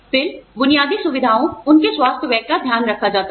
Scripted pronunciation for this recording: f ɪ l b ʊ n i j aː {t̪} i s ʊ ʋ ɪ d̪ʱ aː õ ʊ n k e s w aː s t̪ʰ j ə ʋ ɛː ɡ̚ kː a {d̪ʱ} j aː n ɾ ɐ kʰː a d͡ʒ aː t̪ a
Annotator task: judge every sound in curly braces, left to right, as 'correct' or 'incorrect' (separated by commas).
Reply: incorrect, correct